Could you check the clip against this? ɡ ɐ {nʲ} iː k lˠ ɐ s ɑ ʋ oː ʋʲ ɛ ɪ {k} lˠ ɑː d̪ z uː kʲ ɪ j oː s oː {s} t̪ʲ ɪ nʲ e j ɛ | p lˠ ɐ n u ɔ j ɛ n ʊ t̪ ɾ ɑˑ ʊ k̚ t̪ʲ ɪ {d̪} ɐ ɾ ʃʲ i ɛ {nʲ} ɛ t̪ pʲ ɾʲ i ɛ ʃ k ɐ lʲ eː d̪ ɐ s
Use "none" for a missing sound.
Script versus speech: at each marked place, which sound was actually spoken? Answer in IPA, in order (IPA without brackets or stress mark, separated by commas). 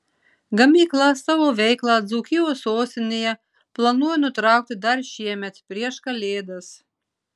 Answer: mʲ, k, s, d̪, mʲ